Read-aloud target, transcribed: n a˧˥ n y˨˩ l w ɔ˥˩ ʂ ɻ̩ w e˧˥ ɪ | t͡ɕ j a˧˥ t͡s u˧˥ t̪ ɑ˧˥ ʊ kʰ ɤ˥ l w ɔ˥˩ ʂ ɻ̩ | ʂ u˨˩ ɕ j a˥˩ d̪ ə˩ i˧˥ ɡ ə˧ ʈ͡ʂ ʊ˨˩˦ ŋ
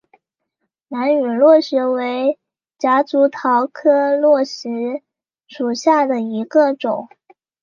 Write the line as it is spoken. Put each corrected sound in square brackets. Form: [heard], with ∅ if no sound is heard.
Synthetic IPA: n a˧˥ n y˨˩ l w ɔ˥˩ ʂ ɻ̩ w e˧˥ ɪ | t͡ɕ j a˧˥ t͡s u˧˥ [t̪ʰ] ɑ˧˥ ʊ kʰ ɤ˥ l w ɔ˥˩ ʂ ɻ̩ | ʂ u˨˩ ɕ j a˥˩ d̪ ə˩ i˧˥ ɡ ə˧ ʈ͡ʂ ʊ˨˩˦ ŋ